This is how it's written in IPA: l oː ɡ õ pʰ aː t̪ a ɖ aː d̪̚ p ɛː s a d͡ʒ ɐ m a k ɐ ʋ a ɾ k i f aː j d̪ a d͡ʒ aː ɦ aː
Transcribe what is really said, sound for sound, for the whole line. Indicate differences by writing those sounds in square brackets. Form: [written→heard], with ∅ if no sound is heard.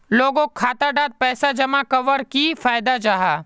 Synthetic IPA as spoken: l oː ɡ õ [pʰ→kʰ] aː t̪ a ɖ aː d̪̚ p ɛː s a d͡ʒ ɐ m a k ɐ ʋ [a→ə] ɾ k i f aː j d̪ a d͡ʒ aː ɦ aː